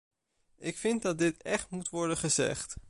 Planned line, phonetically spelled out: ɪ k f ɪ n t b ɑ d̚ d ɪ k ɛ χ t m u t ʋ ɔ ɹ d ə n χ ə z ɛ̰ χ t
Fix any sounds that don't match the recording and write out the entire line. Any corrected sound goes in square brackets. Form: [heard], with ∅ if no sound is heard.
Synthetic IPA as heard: ɪ k f ɪ n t [d] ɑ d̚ d ɪ [t] ɛ χ t m u t ʋ ɔ ɹ d ə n χ ə z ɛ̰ χ t